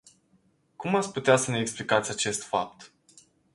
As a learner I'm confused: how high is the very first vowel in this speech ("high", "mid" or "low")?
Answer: high